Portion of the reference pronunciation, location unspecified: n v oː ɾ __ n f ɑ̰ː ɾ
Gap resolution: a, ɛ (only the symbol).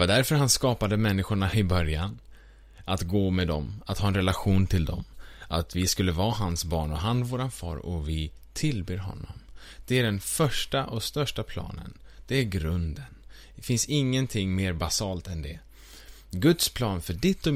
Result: a